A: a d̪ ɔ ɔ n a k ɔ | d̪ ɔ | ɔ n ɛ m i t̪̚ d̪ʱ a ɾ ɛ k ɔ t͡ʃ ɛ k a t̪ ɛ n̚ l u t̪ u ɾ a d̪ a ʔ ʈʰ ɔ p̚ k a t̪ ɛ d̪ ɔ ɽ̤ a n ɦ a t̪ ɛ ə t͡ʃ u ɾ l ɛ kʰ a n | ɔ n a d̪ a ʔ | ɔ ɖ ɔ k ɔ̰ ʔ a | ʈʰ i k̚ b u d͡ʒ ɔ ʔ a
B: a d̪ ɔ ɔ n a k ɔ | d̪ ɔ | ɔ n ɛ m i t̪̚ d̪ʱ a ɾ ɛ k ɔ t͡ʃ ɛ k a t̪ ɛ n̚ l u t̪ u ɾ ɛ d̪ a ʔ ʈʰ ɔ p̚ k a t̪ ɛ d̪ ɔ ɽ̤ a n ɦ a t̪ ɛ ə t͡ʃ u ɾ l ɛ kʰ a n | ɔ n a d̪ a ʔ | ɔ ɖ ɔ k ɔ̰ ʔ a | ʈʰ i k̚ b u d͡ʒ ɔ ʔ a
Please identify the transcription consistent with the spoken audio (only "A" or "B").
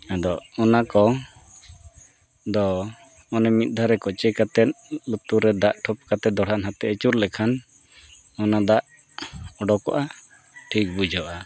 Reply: B